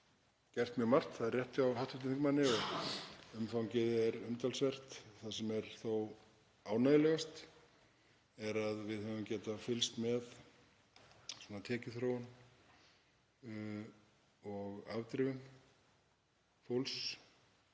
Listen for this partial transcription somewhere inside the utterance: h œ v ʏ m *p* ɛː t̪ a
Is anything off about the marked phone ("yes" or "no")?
yes